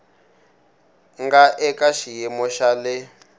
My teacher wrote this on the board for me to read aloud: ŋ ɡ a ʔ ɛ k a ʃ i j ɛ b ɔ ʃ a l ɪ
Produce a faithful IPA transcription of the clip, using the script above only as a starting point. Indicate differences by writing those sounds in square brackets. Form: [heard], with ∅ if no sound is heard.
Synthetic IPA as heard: ŋ ɡ a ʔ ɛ k a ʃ i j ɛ [m] ɔ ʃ a l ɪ